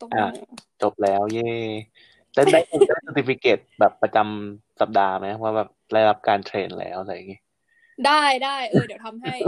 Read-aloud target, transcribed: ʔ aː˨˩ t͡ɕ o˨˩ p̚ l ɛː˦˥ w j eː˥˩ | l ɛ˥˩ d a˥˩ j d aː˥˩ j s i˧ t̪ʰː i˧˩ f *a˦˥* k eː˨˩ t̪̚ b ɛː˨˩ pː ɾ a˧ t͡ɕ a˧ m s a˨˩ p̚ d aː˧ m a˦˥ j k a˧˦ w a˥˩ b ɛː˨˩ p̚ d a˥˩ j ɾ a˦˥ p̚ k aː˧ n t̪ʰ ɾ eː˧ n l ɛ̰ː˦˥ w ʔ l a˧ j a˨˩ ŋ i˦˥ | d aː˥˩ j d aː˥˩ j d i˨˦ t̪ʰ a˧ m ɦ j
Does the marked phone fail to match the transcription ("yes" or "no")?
yes